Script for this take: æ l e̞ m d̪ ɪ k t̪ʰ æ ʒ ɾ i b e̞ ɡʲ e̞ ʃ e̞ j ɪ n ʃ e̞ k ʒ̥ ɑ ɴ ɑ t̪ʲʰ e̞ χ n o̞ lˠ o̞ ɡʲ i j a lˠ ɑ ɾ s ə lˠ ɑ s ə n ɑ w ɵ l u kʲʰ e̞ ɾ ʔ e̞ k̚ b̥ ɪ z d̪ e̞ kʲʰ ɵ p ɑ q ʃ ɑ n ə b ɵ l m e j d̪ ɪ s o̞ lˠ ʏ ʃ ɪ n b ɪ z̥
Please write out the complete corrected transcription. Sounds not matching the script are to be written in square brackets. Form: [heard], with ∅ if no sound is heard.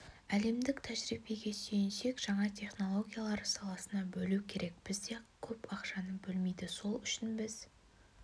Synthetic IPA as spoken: æ l e̞ m d̪ ɪ k t̪ʰ æ ʒ ɾ i b e̞ ɡʲ e̞ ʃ e̞ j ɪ n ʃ e̞ k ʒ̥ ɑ ɴ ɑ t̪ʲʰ e̞ χ n o̞ lˠ o̞ ɡʲ i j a lˠ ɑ ɾ s [ɑ] lˠ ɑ s ə n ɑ [b] ɵ l u kʲʰ e̞ ɾ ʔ e̞ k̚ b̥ ɪ z d̪ e̞ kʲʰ ɵ p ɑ q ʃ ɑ n ə b ɵ l m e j d̪ ɪ s o̞ lˠ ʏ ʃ ɪ n b ɪ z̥

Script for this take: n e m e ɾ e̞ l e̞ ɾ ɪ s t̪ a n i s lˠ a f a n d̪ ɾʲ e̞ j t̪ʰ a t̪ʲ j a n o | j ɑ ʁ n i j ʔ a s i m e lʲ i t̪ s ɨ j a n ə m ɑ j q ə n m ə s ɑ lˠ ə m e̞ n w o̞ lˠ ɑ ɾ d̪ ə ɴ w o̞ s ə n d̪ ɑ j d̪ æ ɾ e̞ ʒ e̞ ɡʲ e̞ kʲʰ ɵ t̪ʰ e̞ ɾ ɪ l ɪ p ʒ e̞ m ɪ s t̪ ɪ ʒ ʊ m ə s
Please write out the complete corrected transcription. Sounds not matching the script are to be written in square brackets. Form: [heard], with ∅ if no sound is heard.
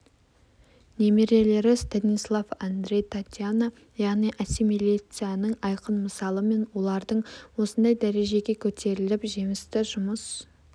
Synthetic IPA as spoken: n e m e ɾ e̞ l e̞ ɾ ɪ s t̪ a n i s lˠ a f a n d̪ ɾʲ e̞ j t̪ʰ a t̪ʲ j a n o | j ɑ ʁ n i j ʔ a s i m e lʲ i t̪ s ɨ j a n ə [ɴ] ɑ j q ə n m ə s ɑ lˠ ə m e̞ n w o̞ lˠ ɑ ɾ d̪ ə ɴ w o̞ s ə n d̪ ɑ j d̪ æ ɾ e̞ ʒ e̞ ɡʲ e̞ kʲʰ ɵ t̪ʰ e̞ ɾ ɪ l ɪ p ʒ e̞ m ɪ s t̪ ɪ ʒ ʊ m ə s

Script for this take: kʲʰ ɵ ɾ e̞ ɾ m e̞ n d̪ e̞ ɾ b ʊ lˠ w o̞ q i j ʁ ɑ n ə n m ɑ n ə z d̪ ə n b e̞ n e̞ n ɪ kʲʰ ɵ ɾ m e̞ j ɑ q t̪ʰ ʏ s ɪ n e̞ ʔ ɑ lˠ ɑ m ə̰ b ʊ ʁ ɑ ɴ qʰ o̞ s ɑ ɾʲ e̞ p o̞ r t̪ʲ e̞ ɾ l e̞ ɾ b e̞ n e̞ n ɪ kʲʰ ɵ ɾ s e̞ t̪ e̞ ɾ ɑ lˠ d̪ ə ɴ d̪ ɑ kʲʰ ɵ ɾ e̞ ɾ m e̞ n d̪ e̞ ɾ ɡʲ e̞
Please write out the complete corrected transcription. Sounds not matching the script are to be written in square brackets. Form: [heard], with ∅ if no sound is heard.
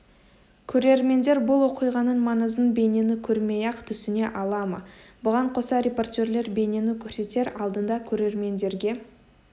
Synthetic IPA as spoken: kʲʰ ɵ ɾ e̞ ɾ m e̞ n d̪ e̞ ɾ b ʊ lˠ w o̞ q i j ʁ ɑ n ə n m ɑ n ə z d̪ ə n b e̞ n e̞ n ɪ kʲʰ ɵ ɾ m e̞ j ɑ q t̪ʰ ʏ s ɪ n e̞ ʔ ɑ lˠ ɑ m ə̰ b ʊ ʁ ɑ ɴ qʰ o̞ s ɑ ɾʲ e̞ p o̞ r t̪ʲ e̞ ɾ l e̞ ɾ b e̞ n e̞ n ɪ kʲʰ ɵ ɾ s e̞ t̪ e̞ ɾ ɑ lˠ d̪ ə [n] d̪ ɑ kʲʰ ɵ ɾ e̞ ɾ m e̞ n d̪ e̞ ɾ ɡʲ e̞

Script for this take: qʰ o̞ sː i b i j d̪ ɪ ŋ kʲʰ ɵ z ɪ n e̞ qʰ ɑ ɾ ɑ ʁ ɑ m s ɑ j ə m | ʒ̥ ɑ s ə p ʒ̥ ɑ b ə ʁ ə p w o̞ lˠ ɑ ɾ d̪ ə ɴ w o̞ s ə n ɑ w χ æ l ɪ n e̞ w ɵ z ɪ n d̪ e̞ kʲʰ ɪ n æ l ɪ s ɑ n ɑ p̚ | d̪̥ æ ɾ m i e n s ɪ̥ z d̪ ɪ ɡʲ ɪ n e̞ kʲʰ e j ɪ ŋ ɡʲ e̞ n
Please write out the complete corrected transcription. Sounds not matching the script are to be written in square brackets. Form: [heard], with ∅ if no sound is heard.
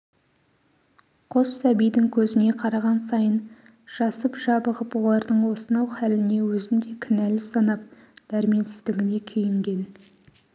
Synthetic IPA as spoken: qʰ o̞ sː [æ] b i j d̪ ɪ ŋ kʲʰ ɵ z ɪ n e̞ qʰ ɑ ɾ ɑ ʁ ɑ [n] s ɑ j ə [n] | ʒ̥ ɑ s ə p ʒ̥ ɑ b ə ʁ ə p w o̞ lˠ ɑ ɾ d̪ ə ɴ w o̞ s ə n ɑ w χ æ l ɪ n e̞ w ɵ z ɪ n d̪ e̞ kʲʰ ɪ n æ l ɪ s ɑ n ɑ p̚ | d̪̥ æ ɾ m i e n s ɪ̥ z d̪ ɪ ɡʲ ɪ n e̞ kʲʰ e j ɪ ŋ ɡʲ e̞ n

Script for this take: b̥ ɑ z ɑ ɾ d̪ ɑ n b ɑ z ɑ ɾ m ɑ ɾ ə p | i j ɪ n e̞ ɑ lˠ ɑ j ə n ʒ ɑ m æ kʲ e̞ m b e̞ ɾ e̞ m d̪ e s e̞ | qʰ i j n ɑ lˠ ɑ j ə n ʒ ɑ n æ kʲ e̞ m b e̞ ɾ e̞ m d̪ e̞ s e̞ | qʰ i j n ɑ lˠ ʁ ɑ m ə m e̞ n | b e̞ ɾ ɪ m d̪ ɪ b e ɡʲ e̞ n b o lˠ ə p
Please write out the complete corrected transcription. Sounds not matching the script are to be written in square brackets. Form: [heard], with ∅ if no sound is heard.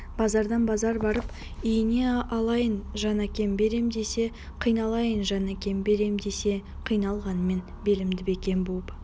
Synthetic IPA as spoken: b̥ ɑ z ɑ ɾ d̪ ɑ n b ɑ z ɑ ɾ [b] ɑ ɾ ə p | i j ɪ n e̞ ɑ lˠ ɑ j ə n ʒ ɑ [n] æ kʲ e̞ m b e̞ ɾ e̞ m d̪ e s e̞ | qʰ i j n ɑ lˠ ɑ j ə n ʒ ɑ n æ kʲ e̞ m b e̞ ɾ e̞ m d̪ e̞ s e̞ | qʰ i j n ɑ lˠ ʁ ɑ [n] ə m e̞ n | b e̞ [l] ɪ m d̪ ɪ b e [kʲ] e̞ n b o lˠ ə p

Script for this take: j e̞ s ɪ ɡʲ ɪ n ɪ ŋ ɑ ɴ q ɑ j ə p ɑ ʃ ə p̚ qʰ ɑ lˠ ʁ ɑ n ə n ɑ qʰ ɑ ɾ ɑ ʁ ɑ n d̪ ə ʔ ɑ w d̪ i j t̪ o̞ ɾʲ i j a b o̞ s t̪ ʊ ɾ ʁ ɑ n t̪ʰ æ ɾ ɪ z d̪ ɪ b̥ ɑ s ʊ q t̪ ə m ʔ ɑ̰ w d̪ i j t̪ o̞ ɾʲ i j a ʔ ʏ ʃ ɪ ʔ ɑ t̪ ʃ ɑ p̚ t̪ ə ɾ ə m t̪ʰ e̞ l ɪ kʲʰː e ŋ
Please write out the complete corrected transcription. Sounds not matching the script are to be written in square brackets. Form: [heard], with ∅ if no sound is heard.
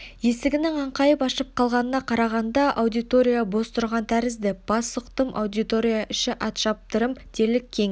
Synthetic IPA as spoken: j e̞ s ɪ ɡʲ ɪ n ɪ ŋ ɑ ɴ q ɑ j ə p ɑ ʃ ə p̚ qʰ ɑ lˠ ʁ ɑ n ə n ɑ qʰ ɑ ɾ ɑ ʁ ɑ n d̪ [ɑ] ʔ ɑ w d̪ i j t̪ o̞ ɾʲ i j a b o̞ s t̪ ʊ ɾ ʁ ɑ n t̪ʰ æ ɾ ɪ z d̪ ɪ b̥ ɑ s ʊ q t̪ ə m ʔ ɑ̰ w d̪ i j t̪ o̞ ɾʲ i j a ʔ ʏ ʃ ɪ ʔ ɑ t̪ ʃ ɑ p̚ t̪ ə ɾ ə m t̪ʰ e̞ l ɪ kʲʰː e ŋ

